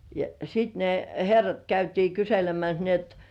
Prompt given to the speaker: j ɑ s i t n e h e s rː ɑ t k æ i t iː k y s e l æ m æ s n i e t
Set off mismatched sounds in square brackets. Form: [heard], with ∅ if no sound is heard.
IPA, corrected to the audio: j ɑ s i t n e h e [∅] rː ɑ t k æ [y] t iː k y s e l [e] m æ s n i e t